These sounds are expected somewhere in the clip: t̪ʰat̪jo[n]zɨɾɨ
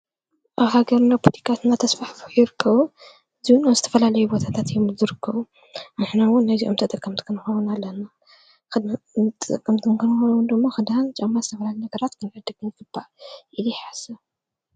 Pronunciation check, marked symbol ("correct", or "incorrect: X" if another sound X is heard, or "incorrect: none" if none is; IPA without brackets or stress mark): incorrect: m